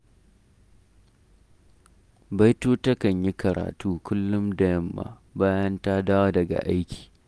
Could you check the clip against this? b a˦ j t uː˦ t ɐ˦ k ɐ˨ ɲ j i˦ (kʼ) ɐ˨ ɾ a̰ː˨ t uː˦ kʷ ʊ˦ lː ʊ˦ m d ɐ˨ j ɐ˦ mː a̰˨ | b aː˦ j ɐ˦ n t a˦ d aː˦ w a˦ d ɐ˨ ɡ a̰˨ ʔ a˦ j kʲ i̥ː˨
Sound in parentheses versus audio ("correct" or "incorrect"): incorrect